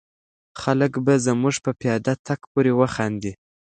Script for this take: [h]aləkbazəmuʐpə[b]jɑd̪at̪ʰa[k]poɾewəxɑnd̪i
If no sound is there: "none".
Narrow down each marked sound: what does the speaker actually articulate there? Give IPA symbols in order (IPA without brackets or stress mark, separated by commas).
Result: x, p, k